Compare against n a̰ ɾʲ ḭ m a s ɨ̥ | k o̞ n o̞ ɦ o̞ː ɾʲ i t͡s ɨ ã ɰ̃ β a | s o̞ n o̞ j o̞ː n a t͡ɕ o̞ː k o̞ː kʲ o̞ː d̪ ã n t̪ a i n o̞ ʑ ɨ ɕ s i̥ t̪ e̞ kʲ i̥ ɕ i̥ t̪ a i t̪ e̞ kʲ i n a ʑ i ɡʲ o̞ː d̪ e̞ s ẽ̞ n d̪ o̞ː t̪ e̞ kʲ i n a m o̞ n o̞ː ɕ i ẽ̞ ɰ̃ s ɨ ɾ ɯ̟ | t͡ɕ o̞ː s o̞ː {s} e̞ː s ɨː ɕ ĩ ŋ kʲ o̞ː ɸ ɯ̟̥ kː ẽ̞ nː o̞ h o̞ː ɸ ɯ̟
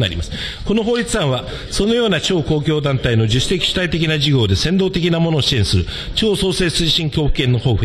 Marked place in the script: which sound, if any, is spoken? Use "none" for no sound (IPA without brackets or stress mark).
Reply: s